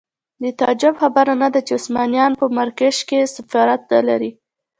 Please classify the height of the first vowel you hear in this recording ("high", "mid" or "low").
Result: mid